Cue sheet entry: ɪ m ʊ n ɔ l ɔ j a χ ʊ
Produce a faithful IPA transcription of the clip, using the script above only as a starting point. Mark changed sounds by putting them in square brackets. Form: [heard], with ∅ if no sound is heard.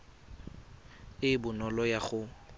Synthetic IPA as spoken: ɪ [b] ʊ n ɔ l ɔ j a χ ʊ

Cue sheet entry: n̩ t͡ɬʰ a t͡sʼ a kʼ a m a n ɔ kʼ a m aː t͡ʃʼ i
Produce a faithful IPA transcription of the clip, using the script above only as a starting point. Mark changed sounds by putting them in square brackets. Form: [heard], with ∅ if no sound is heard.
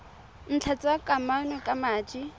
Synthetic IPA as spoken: n̩ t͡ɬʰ a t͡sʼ a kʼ a m a n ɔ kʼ a m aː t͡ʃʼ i

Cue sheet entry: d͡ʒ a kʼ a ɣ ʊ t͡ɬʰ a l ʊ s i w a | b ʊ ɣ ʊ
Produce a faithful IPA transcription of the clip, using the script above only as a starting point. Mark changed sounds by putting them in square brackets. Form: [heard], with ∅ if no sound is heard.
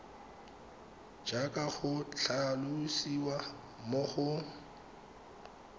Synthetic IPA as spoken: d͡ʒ a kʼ a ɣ ʊ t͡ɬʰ a l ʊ s i w a | [m] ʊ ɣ ʊ

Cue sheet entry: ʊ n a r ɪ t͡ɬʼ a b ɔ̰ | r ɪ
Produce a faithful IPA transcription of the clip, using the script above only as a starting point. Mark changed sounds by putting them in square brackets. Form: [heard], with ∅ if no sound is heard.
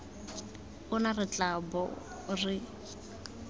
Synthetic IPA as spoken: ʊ n a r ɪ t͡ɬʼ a b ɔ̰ | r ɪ

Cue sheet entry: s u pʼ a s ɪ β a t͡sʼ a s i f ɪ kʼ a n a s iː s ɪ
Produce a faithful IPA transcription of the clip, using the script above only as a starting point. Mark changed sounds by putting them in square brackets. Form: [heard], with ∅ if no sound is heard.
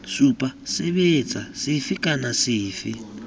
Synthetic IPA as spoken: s u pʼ a s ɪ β [e] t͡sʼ a s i f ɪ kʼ a n a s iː [f] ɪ

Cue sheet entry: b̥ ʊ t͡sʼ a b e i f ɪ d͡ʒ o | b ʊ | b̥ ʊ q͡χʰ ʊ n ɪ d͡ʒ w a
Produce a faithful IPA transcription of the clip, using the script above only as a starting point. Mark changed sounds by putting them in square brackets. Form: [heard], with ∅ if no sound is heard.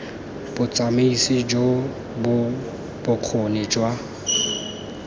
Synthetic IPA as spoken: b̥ ʊ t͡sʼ a [m] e i [s] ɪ d͡ʒ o | b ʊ | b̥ ʊ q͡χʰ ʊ n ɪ d͡ʒ w a

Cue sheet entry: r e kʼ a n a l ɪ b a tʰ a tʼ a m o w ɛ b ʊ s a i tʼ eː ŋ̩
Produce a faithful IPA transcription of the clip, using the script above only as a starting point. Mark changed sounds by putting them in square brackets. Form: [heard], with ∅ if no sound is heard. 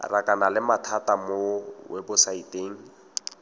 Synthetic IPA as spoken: r [a] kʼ a n a l ɪ [m] a tʰ a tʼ a m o w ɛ b ʊ s a i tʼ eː ŋ̩

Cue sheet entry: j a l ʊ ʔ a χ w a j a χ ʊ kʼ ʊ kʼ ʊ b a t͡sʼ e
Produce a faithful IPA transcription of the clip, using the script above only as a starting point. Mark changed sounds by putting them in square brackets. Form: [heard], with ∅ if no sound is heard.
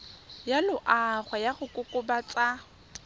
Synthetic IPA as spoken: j a l ʊ ʔ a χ w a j a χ ʊ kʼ ʊ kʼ ʊ b a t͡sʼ [a]

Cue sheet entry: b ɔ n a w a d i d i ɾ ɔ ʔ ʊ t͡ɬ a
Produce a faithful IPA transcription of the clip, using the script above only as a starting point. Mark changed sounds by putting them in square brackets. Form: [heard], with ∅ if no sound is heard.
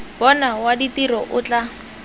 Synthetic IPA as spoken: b ɔ n a w a d i [t] i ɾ ɔ ʔ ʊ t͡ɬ a

